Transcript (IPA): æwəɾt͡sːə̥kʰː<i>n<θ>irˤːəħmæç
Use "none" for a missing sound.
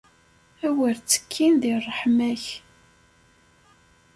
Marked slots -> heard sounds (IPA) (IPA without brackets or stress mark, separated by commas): i, ð